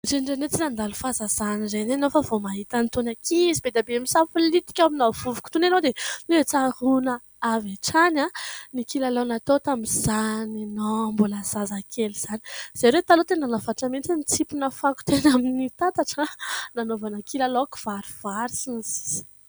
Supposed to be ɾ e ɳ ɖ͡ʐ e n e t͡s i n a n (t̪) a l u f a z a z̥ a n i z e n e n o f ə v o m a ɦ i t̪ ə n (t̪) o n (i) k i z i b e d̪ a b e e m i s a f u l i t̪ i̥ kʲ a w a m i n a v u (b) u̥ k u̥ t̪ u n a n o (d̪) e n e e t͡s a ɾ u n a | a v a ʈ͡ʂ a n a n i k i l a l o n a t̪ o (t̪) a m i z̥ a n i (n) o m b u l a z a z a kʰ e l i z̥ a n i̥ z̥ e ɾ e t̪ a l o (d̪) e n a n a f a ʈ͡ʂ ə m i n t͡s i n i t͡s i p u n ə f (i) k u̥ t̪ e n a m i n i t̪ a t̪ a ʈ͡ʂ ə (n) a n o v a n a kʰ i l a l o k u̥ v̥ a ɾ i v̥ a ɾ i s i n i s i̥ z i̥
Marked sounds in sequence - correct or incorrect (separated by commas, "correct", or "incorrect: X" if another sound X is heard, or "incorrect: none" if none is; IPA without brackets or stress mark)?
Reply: incorrect: d̪, correct, incorrect: a, incorrect: v, correct, correct, correct, incorrect: t̪, incorrect: a, correct